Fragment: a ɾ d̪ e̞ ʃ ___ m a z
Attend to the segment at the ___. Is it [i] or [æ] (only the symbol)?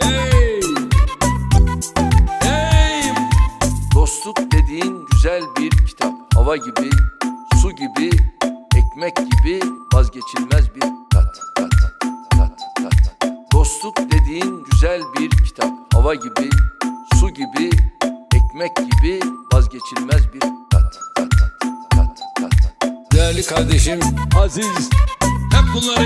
i